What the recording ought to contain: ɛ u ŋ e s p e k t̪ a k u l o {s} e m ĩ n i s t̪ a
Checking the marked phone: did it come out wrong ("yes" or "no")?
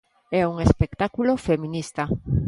yes